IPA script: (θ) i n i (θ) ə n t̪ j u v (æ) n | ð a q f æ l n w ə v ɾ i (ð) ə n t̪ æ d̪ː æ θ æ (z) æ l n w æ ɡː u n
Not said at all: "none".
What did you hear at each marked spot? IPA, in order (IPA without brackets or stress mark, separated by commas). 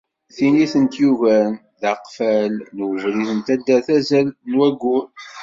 θ, θ, æ, θ, z